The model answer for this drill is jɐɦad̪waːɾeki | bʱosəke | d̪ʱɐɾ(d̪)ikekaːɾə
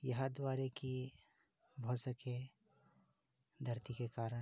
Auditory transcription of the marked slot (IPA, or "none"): t̪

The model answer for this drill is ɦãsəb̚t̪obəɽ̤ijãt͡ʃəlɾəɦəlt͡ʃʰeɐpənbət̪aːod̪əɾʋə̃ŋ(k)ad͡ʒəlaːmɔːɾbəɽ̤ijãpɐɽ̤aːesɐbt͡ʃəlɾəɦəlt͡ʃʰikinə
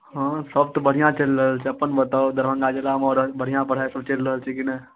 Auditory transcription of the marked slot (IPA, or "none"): ɡ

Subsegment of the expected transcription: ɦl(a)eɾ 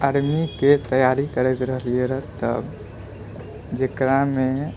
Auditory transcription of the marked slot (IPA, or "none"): i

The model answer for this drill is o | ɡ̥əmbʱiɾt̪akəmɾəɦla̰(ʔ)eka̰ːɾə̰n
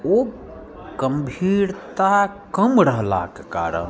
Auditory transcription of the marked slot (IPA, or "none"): k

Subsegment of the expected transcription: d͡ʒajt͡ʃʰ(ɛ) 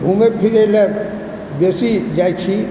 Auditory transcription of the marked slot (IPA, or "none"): i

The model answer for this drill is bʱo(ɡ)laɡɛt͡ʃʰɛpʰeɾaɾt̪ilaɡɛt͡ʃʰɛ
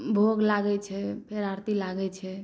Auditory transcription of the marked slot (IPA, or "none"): ɡ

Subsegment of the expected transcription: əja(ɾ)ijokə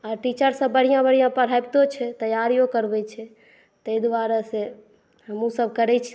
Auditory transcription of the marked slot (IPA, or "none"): ɾ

